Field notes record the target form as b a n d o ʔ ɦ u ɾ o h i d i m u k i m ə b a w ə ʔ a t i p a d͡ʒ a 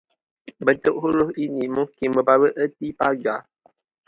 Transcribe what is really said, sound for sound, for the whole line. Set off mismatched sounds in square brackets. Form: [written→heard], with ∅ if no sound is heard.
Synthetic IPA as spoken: b [a→ə] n [d→t] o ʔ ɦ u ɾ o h i [d→n] i m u k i m ə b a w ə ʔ [a→ə] t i p a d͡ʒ a